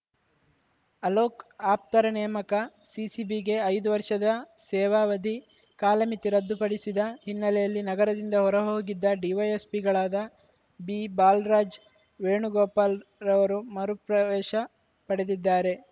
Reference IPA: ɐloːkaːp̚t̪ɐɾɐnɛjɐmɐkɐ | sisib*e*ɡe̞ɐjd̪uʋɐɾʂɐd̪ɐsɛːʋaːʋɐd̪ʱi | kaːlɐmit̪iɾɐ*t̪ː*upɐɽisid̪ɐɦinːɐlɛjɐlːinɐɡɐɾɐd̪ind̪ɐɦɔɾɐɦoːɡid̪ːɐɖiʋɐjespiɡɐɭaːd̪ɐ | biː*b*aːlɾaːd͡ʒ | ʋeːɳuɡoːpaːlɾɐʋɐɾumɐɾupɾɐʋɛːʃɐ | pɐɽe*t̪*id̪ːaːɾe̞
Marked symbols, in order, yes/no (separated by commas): no, no, yes, no